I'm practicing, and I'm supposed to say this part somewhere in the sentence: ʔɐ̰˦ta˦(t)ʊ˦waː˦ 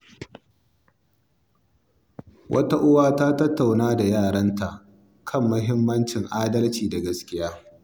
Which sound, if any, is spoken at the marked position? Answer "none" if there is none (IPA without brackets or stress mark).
ʔ